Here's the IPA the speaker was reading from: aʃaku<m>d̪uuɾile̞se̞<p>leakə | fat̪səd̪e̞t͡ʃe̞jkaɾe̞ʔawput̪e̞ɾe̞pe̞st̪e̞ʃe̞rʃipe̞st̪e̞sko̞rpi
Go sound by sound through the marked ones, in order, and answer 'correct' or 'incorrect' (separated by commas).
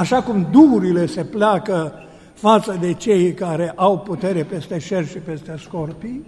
correct, correct